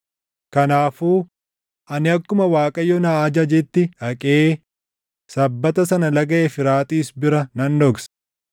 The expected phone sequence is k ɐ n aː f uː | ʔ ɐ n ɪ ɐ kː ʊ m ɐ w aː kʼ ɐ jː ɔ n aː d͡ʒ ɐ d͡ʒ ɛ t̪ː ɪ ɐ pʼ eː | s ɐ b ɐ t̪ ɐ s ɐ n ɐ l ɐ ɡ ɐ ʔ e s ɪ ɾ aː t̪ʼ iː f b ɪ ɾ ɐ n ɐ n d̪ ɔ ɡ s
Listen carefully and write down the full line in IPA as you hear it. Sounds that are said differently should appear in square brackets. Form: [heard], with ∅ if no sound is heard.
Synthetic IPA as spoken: k ɐ n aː f uː | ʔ ɐ n ɪ ɐ kː ʊ m ɐ w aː kʼ ɐ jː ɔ n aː d͡ʒ ɐ d͡ʒ ɛ t̪ː ɪ ɐ [kʼ] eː | s ɐ [bː] ɐ t̪ ɐ s ɐ n ɐ l ɐ ɡ ɐ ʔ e [f] ɪ ɾ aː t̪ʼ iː [s] b ɪ ɾ ɐ n ɐ n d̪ ɔ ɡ s